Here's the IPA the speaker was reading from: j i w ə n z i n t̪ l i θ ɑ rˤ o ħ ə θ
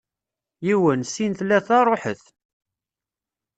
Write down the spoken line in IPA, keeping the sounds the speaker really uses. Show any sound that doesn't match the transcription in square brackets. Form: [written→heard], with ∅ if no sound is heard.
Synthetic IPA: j i w ə n [z→s] i n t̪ l [i→æ] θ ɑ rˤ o ħ ə θ

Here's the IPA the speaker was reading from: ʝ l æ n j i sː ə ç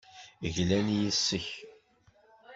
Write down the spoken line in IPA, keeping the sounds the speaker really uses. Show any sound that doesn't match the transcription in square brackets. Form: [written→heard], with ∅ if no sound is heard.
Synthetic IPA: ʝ l æ n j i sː ə ç

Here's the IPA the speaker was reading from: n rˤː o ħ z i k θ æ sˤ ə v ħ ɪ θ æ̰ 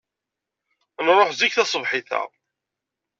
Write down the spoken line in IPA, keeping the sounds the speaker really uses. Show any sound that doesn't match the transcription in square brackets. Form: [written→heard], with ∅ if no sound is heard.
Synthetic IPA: n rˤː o ħ z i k θ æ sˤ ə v ħ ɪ θ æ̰

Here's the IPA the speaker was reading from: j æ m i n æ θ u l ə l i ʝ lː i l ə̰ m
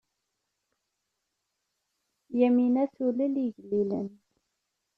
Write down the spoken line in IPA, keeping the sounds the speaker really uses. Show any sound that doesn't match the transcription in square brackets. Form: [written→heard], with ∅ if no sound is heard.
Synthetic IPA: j æ m i n æ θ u l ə l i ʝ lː i l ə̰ [m→n]

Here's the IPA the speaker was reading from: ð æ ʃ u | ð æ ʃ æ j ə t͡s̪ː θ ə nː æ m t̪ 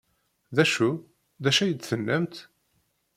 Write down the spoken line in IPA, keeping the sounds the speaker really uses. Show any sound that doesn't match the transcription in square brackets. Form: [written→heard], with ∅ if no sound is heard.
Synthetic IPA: ð æ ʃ u | ð æ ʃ æ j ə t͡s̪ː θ ə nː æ m t̪

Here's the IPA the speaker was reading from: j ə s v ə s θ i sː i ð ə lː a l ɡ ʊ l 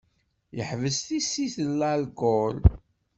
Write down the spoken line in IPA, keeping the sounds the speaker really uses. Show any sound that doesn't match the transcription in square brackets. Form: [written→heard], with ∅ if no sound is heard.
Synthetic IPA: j ə [s→ħ] v ə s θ i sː i [ð→θ] ə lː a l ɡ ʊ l

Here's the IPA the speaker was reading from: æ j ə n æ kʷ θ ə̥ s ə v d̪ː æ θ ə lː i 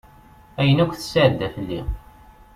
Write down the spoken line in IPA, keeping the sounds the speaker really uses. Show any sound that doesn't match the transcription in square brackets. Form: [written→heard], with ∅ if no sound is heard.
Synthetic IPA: æ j ə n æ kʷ θ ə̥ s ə [v→ʕ] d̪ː æ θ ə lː i

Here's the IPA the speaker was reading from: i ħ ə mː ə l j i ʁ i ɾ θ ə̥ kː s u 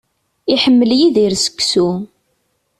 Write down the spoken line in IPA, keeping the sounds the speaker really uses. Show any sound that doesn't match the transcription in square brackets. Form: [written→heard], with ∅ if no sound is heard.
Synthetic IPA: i ħ ə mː ə l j i [ʁ→ð] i ɾ [θ→s] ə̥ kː s u

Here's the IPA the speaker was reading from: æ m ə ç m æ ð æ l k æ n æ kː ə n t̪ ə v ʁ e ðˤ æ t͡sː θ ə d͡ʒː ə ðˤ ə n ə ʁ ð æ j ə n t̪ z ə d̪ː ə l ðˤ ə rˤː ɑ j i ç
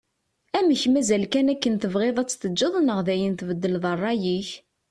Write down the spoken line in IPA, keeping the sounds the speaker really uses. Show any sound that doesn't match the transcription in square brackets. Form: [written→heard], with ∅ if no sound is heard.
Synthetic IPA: æ m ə ç m æ [ð→z] æ l k æ n æ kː ə n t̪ ə v ʁ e ðˤ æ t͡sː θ ə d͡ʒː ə ðˤ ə n ə ʁ ð æ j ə n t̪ [z→v] ə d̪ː ə l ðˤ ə rˤː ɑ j i ç

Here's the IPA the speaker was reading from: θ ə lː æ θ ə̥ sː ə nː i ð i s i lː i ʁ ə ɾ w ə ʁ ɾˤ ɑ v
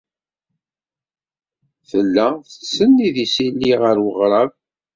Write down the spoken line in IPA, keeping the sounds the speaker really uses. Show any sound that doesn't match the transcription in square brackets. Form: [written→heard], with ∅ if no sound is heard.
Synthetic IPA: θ ə lː æ θ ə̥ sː ə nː i ð i s i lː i ʁ ə ɾ w ə ʁ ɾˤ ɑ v

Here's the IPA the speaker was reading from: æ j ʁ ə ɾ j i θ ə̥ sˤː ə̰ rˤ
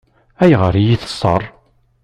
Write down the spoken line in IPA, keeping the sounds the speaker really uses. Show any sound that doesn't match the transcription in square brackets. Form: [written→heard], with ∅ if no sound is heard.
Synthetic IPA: æ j ʁ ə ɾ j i θ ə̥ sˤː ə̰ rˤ

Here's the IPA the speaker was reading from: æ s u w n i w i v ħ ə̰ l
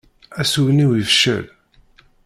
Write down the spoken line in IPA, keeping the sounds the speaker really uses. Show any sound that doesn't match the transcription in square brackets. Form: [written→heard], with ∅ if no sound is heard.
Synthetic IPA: æ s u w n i w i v [ħ→ʃ] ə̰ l

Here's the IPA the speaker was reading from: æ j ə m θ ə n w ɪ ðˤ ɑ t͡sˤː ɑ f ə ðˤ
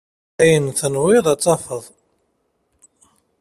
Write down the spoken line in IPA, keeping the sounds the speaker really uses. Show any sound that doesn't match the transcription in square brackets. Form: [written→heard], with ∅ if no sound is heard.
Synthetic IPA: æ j ə [m→n] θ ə n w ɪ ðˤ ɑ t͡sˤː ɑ f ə ðˤ

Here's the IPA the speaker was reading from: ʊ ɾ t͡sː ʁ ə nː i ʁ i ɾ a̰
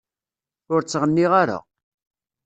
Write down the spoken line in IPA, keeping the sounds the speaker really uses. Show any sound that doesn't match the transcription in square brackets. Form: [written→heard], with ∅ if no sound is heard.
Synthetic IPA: ʊ ɾ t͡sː ʁ ə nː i ʁ [i→a] ɾ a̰

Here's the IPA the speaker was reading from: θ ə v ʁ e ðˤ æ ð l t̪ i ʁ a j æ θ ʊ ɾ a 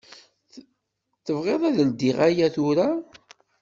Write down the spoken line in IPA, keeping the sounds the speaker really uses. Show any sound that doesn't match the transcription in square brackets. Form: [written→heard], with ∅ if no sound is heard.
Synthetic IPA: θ ə v ʁ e ðˤ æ ð l [t̪→d̪] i ʁ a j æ θ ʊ ɾ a

